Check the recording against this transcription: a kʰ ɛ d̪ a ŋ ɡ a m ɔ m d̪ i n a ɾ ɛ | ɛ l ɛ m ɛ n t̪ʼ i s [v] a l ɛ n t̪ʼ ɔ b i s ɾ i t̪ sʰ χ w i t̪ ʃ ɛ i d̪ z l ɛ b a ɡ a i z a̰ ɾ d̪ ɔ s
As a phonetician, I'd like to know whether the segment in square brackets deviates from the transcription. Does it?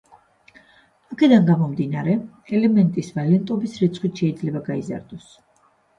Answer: no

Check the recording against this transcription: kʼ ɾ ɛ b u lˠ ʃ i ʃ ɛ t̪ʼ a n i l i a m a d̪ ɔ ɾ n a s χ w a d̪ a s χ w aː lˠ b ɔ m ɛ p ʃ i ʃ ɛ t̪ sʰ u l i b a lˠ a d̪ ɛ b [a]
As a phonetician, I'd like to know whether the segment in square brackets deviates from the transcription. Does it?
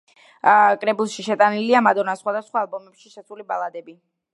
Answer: yes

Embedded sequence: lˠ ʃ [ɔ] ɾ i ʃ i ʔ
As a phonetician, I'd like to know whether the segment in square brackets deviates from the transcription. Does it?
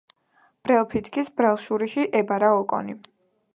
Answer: yes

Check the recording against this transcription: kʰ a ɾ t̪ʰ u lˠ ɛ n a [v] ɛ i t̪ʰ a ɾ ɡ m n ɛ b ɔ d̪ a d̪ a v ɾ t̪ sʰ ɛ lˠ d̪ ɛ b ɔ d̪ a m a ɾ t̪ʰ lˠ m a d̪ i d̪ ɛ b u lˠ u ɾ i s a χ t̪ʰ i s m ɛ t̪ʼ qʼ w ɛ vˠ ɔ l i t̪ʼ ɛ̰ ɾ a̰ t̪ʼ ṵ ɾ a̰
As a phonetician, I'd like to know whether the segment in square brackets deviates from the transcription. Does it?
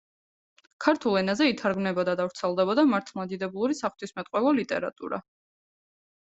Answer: yes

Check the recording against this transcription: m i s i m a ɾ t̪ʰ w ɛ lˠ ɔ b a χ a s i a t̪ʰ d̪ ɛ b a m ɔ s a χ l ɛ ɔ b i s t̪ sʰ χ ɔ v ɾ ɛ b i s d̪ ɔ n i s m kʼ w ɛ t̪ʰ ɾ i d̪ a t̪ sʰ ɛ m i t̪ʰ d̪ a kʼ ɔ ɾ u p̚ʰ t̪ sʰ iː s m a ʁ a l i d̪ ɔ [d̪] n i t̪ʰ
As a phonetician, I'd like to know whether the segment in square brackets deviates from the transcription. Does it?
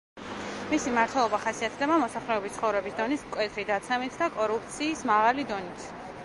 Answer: yes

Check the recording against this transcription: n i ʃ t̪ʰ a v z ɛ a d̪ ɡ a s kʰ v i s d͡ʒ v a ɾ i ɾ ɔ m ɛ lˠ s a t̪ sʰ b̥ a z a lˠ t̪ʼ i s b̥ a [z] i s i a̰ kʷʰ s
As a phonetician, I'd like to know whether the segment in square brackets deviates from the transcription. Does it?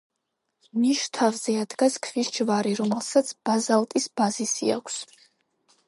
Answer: no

